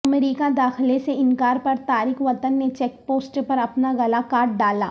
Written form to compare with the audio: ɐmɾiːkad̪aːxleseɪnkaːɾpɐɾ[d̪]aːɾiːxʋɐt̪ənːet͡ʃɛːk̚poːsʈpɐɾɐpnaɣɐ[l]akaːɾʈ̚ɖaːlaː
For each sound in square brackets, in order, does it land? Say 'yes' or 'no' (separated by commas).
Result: no, yes